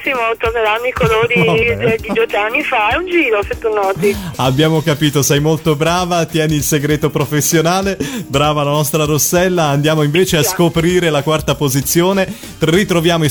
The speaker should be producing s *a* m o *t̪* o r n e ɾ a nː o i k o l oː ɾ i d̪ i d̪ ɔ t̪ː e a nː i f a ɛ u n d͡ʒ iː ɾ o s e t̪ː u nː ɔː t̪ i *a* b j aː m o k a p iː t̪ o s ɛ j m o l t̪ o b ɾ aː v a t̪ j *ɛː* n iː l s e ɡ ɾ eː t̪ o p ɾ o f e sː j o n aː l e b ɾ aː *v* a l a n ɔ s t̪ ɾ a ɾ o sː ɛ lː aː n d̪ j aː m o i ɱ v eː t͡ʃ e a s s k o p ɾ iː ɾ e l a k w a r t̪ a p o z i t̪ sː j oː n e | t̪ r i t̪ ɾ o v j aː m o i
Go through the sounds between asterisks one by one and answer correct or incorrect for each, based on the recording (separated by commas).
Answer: incorrect, correct, correct, correct, correct